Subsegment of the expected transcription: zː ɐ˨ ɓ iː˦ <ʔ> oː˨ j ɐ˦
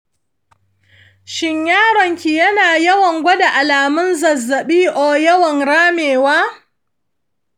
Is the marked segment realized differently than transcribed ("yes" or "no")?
no